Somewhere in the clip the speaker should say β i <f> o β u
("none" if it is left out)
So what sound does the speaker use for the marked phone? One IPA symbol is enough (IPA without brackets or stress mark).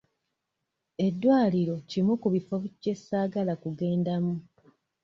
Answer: f